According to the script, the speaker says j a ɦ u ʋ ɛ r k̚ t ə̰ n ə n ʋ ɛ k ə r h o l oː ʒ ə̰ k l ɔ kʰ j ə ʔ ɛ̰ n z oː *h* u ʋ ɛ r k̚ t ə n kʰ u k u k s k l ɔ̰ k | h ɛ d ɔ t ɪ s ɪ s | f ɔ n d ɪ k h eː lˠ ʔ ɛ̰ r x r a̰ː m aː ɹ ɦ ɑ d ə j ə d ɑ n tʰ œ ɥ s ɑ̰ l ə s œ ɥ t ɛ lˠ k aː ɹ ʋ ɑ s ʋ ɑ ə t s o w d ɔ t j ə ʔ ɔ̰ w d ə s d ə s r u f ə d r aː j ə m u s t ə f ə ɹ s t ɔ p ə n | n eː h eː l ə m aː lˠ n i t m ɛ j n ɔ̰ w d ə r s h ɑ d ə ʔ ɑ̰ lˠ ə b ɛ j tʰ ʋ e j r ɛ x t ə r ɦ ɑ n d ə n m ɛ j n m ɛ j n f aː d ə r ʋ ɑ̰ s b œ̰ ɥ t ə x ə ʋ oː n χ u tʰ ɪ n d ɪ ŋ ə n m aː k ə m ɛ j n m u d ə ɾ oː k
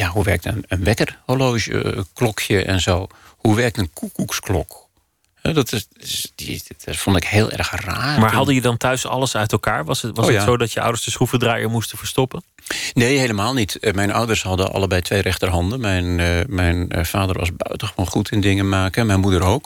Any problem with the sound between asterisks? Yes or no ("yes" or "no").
no